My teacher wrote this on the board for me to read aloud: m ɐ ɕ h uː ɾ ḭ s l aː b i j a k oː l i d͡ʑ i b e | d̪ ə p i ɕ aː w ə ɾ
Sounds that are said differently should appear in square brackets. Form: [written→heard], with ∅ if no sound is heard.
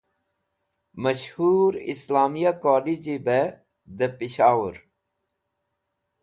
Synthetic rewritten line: m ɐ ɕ h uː ɾ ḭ s l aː [b→m] i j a k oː l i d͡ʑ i b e | d̪ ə p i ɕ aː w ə ɾ